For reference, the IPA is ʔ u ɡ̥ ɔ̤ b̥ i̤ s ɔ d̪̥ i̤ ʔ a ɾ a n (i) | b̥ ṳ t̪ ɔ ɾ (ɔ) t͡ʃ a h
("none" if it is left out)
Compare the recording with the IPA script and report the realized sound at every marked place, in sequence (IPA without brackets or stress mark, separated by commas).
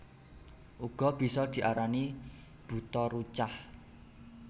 i, u